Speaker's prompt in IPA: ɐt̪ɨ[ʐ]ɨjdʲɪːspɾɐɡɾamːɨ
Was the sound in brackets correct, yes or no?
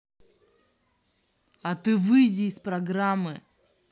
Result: no